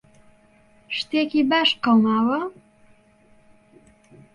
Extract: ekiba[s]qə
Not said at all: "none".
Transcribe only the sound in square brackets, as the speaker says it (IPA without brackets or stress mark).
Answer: ʃ